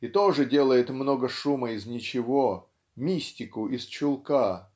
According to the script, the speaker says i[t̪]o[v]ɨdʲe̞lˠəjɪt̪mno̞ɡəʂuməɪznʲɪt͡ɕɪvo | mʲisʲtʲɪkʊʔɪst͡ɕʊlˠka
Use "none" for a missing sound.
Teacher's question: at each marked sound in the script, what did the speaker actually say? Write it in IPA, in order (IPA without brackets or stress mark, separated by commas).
t̪, ʐ